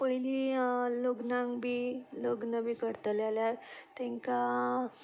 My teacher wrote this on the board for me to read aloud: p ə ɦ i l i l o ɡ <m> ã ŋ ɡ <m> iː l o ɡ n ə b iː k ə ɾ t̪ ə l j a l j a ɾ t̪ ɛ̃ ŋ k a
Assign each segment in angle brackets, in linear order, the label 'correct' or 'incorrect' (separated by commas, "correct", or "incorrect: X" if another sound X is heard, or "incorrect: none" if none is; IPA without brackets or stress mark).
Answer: incorrect: n, incorrect: b